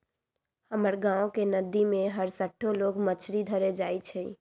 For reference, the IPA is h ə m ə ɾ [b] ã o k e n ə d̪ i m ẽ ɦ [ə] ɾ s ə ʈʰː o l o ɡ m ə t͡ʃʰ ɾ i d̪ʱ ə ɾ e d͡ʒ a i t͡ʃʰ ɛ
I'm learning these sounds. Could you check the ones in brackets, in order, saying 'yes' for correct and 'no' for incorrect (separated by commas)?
no, yes